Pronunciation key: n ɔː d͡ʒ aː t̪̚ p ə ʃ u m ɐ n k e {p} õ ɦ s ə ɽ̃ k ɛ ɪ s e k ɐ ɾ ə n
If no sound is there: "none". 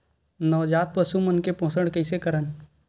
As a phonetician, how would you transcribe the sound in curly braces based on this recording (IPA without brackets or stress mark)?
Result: p